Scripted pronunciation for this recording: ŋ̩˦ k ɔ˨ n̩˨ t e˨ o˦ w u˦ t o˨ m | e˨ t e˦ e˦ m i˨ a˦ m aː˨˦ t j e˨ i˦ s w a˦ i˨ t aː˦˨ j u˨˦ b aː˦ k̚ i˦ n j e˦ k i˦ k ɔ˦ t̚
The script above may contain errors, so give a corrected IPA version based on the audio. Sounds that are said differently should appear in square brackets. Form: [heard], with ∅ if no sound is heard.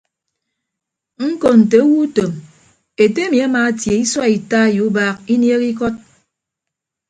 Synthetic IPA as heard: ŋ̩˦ k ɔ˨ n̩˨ t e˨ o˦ w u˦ t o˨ m | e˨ t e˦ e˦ m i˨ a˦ m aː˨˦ t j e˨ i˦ s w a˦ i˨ t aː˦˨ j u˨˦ b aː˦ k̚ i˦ n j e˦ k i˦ k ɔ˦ t̚

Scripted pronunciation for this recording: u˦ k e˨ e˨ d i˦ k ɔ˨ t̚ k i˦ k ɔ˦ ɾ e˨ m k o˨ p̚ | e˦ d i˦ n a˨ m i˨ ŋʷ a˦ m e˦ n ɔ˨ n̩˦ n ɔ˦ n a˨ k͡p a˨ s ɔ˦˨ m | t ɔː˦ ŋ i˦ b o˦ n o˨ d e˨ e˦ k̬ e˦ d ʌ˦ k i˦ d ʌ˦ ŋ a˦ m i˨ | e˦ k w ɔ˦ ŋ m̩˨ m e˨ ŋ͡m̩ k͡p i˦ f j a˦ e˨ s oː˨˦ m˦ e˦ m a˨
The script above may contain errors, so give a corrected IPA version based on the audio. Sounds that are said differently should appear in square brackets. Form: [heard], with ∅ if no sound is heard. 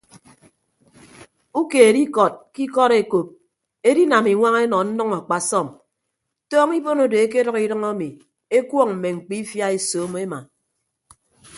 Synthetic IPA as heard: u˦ k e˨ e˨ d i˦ k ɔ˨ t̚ k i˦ k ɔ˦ ɾ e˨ [∅] k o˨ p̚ | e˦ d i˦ n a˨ m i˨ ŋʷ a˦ [ŋ] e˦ n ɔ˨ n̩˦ n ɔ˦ [ŋ] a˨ k͡p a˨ s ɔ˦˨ m | t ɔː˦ ŋ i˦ b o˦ n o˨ d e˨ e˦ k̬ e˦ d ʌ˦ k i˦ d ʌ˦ ŋ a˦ m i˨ | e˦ k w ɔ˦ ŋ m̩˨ m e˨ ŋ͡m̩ k͡p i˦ f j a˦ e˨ s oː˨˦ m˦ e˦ m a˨

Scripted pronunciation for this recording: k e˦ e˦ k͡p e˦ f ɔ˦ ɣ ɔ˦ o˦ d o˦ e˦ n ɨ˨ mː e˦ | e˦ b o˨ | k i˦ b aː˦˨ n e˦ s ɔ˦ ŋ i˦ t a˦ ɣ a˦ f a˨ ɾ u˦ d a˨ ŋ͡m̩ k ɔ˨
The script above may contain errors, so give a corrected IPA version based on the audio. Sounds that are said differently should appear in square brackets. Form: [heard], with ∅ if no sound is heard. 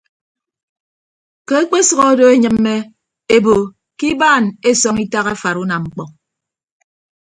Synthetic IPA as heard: k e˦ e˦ k͡p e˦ [s] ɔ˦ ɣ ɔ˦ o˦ d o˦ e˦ [ɲ] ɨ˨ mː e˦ | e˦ b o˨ | k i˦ b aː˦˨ n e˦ s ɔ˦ ŋ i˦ t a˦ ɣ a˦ f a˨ ɾ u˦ [n] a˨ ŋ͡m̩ [k͡p] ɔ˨

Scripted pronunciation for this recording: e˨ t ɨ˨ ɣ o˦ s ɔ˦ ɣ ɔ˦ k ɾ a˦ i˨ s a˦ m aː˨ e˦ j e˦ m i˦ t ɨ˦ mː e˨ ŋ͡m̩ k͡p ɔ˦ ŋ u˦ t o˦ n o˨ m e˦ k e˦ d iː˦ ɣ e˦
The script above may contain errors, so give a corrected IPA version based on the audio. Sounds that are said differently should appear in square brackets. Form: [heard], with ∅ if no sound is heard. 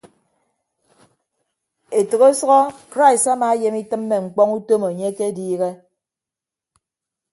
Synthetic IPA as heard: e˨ t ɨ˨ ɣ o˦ s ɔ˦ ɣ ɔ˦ k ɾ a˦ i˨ s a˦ m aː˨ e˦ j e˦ m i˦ t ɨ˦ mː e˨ ŋ͡m̩ k͡p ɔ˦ ŋ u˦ t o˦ [m] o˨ [ɲ] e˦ k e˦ d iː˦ ɣ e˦

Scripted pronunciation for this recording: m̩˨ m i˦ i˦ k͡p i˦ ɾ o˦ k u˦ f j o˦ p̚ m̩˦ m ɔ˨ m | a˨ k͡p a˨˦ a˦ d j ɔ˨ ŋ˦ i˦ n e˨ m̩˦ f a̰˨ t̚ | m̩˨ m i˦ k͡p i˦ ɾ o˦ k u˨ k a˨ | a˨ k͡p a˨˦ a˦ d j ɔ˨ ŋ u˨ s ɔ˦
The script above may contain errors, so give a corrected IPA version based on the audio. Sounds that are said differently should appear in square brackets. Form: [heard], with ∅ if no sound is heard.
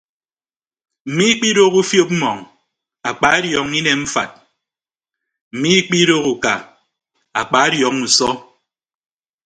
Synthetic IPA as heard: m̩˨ m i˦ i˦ k͡p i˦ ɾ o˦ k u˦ f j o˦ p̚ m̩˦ m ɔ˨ [ŋ] | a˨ k͡p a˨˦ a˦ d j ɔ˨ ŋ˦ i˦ n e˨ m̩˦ f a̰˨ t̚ | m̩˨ m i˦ k͡p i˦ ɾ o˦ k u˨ k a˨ | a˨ k͡p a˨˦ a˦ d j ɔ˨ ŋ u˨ s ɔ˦

